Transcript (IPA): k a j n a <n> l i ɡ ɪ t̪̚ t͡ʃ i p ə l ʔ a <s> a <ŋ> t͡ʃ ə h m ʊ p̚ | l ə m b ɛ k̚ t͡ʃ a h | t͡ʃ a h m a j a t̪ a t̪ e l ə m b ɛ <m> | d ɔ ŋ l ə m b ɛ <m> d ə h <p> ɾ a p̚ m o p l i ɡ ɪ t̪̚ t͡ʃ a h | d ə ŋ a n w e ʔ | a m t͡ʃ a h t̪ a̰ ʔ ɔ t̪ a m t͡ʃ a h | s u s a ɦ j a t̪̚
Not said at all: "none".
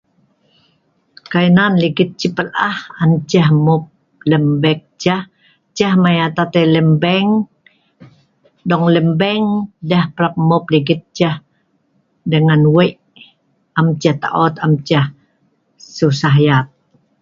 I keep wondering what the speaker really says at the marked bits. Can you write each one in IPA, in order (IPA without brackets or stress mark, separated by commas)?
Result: n, h, n, ŋ, ŋ, p